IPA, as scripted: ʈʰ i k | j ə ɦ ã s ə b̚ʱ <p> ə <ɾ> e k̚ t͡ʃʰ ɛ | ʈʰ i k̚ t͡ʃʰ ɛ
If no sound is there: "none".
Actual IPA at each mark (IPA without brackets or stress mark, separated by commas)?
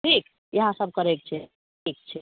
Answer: k, ɾ